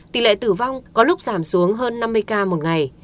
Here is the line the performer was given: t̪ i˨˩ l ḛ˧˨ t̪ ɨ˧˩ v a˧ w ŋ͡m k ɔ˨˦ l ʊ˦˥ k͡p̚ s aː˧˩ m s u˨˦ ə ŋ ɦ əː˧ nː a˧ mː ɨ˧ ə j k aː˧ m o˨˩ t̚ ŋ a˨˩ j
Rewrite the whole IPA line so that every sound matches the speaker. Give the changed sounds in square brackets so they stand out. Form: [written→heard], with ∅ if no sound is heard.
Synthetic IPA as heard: t̪ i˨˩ l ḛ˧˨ t̪ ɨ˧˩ v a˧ w ŋ͡m k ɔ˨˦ l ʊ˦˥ k͡p̚ [s→z] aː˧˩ m s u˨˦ ə ŋ ɦ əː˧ nː a˧ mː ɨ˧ ə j k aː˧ m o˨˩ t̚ ŋ a˨˩ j

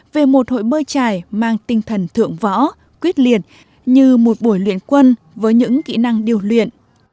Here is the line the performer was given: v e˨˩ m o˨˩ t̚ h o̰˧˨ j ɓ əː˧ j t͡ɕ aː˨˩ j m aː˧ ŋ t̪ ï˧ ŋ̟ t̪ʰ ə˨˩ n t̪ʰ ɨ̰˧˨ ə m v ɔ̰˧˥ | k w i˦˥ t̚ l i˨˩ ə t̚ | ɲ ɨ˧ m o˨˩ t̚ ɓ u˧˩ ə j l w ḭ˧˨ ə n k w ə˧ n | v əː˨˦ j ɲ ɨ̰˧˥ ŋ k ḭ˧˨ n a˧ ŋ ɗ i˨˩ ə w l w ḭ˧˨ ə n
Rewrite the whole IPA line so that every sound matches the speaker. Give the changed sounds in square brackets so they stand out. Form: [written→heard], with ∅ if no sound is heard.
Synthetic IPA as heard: v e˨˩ m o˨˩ t̚ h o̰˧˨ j ɓ əː˧ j t͡ɕ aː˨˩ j m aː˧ ŋ t̪ ï˧ ŋ̟ t̪ʰ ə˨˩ n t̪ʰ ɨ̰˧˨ ə [m→ŋ] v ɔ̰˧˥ | k w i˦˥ t̚ l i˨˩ ə t̚ | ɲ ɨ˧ m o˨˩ t̚ ɓ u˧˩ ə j l w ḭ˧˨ ə n k w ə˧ n | v əː˨˦ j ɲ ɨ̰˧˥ ŋ k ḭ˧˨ n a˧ ŋ ɗ i˨˩ ə w l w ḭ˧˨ ə n

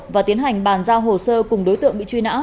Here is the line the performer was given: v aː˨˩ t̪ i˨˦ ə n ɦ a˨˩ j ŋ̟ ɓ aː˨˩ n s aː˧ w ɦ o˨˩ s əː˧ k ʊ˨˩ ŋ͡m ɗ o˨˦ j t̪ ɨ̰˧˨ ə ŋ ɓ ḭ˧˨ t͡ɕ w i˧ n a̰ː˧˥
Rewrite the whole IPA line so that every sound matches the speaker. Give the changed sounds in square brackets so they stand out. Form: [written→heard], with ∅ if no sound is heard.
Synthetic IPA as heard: v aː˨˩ t̪ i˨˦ ə n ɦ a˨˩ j ŋ̟ ɓ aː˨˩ n [s→z] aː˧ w ɦ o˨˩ s əː˧ k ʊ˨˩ ŋ͡m ɗ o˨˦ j t̪ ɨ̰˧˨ ə ŋ ɓ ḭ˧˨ t͡ɕ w i˧ n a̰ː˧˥

